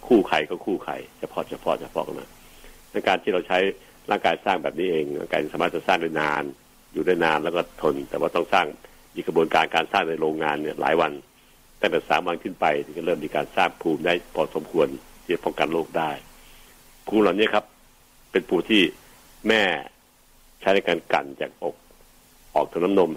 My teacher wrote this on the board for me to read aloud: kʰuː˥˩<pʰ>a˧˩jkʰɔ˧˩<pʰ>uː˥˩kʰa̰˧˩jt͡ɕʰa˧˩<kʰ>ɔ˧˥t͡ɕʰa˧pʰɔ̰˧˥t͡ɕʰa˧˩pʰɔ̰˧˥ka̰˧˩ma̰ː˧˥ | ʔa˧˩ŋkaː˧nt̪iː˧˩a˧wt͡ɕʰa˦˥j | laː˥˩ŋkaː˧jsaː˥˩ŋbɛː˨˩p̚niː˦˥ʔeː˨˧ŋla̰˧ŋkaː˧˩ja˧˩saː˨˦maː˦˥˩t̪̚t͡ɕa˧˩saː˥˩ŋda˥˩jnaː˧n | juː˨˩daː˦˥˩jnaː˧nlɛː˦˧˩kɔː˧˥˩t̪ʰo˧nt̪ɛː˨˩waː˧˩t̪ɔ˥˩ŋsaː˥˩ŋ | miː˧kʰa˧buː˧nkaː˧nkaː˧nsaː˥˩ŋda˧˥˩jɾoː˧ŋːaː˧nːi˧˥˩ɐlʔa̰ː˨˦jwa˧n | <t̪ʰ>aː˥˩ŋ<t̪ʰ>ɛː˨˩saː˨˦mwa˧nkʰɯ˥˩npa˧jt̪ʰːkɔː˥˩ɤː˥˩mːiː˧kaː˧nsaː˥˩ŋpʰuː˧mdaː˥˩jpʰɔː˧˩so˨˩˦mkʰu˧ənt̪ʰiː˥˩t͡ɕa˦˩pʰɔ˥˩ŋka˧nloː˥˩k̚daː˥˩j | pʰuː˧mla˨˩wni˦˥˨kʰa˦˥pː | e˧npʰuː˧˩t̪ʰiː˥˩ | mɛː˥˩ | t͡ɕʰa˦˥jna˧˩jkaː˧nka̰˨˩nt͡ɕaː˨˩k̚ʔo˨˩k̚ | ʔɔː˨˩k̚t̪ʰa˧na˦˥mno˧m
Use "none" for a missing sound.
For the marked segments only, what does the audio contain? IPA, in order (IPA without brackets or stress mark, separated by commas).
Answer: kʰ, kʰ, pʰ, t̪, t̪